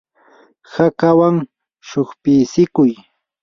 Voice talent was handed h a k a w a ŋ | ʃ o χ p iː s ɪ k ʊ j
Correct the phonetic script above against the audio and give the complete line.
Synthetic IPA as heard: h a k a w a ŋ | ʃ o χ p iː s ɪ k ʊ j